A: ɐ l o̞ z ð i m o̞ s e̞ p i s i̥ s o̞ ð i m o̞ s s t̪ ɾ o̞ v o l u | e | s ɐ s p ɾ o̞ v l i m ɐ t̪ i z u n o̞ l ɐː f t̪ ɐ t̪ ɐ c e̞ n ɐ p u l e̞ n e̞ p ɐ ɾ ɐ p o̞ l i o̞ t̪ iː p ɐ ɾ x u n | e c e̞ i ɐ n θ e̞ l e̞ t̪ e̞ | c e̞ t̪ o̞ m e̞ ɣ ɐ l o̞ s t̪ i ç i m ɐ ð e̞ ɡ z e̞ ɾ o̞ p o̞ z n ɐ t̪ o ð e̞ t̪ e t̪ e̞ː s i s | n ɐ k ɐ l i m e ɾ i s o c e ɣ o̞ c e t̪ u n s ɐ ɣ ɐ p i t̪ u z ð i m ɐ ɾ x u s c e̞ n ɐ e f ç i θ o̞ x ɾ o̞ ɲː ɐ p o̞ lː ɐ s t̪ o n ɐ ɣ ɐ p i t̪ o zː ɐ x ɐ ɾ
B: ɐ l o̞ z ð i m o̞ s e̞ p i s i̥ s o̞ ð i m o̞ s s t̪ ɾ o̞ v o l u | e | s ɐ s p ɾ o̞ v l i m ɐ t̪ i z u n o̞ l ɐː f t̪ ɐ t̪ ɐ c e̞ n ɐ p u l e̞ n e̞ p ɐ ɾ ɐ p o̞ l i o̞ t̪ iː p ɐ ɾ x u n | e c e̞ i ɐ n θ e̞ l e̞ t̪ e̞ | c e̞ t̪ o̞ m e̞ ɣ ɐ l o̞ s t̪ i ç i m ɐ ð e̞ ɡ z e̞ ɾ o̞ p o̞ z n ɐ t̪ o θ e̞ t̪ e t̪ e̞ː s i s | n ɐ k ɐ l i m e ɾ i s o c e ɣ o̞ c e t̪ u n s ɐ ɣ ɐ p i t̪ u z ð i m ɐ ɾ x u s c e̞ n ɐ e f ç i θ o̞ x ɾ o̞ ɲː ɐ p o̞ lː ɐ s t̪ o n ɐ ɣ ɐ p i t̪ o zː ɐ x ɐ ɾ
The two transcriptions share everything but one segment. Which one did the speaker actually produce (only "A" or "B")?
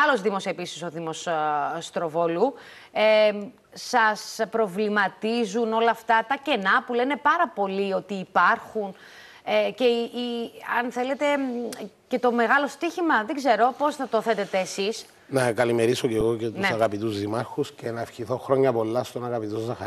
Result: B